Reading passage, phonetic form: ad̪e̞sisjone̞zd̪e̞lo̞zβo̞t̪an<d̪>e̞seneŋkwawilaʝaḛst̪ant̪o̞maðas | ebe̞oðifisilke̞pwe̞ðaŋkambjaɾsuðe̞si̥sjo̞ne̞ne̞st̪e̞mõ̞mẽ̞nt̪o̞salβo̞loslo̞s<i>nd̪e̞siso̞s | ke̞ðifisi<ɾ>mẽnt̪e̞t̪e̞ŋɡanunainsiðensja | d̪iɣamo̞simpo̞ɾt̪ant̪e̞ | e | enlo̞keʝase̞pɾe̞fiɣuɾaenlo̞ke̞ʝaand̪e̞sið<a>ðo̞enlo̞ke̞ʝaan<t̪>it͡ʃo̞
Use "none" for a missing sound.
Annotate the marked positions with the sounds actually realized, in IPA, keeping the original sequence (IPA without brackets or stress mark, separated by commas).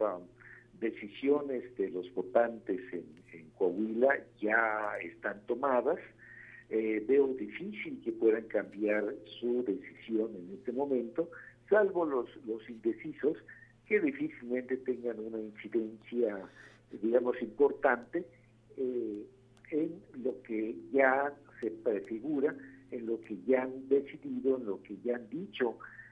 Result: t̪, i, l, i, d̪